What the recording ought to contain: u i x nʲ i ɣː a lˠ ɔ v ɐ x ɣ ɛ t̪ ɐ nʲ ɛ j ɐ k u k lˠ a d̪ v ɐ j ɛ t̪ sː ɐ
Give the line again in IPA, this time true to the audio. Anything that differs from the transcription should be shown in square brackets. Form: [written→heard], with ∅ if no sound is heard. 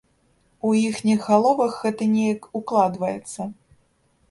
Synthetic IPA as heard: u i x nʲ i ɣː a lˠ ɔ v ɐ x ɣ ɛ t̪ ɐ nʲ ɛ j ɐ k u k lˠ a d̪ v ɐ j ɛ t̪ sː ɐ